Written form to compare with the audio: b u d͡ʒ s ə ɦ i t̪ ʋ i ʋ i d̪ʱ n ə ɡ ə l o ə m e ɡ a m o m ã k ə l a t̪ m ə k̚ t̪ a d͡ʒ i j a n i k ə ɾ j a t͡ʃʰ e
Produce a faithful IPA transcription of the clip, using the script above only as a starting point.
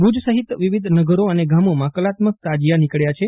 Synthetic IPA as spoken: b u d͡ʒ s ə ɦ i t̪ ʋ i ʋ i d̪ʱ n ə ɡ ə ɾ o ə n e ɡ a m o m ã k ə l a t̪ m ə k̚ t̪ a d͡ʒ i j a n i k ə ɭ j a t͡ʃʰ e